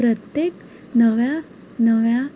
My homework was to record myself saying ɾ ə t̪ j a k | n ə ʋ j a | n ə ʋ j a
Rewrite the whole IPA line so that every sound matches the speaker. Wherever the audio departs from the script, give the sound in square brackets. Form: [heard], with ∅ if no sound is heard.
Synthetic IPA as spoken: ɾ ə t̪ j [e] k | n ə ʋ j a | n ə ʋ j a